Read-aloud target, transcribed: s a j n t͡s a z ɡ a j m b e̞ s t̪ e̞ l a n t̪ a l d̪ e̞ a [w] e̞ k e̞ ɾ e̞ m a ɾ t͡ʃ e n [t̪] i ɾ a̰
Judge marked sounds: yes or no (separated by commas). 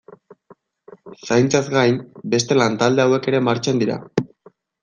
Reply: yes, no